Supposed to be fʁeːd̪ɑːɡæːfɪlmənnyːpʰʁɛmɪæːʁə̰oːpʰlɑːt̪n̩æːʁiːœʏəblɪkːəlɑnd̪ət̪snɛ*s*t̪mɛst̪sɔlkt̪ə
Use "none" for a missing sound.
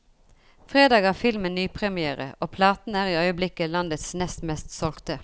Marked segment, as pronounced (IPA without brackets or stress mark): s